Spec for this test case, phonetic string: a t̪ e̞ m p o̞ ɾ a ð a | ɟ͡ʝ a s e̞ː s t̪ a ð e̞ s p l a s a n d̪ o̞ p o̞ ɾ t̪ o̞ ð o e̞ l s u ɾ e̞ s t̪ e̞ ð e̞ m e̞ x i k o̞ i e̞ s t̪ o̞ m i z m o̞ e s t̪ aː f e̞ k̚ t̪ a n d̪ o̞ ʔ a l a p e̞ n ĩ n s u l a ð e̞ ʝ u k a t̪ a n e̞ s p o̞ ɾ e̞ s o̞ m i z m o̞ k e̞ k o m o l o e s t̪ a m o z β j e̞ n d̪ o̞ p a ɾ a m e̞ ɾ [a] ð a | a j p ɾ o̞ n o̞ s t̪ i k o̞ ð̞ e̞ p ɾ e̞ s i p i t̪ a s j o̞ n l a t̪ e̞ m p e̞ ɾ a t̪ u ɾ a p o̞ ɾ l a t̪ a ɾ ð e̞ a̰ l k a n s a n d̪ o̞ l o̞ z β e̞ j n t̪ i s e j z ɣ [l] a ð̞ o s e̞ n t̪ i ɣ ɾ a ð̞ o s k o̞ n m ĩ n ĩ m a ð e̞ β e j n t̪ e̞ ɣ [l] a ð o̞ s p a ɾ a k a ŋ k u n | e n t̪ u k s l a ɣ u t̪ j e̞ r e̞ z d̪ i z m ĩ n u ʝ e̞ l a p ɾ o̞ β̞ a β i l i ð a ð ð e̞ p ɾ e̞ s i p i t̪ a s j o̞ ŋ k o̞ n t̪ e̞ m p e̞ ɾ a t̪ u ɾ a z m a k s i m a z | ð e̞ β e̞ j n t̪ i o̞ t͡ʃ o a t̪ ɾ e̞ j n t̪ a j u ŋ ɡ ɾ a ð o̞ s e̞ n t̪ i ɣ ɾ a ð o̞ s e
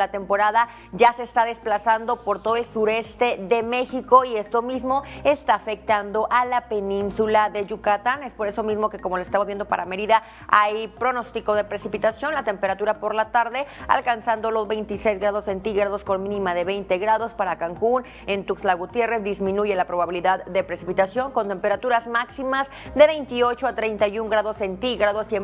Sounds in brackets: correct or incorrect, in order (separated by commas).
incorrect, incorrect, incorrect